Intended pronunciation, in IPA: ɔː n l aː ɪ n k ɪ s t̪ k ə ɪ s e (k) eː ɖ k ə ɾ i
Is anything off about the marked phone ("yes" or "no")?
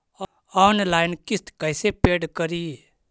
yes